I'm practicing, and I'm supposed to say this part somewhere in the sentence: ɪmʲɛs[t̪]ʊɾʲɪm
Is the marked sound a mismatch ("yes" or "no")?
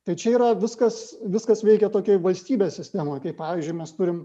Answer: no